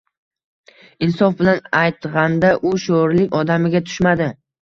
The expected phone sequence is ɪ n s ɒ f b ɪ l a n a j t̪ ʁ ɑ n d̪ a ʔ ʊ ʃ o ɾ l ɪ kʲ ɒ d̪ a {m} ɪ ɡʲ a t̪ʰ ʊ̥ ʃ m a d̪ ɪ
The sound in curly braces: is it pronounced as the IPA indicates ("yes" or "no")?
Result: yes